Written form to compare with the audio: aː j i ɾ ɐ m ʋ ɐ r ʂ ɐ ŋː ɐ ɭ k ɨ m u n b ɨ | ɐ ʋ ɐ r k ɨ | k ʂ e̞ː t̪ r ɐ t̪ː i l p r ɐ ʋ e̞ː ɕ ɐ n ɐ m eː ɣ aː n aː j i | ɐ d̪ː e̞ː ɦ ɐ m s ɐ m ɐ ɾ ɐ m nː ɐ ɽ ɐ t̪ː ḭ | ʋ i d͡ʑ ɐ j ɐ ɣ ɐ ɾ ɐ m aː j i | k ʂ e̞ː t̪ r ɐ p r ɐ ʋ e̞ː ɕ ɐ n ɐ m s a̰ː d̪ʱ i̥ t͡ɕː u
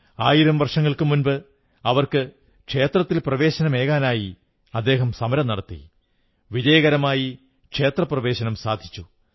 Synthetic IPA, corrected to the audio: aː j i ɾ ɐ m ʋ ɐ r ʂ ɐ ŋː ɐ ɭ k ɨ m u n b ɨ | ɐ ʋ ɐ r k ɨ | k ʂ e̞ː t̪ r ɐ t̪ː i l p r ɐ ʋ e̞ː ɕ ɐ n ɐ m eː ɣ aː n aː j i | ɐ d̪ː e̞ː ɦ ɐ m s ɐ m ɐ ɾ ɐ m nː ɐ ɽ ɐ t̪ː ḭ | ʋ i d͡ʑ ɐ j ɐ ɣ ɐ ɾ ɐ m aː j i | k ʂ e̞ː t̪ r ɐ p r ɐ ʋ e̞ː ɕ ɐ n ɐ m s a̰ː d̪ʱ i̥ t͡ɕː u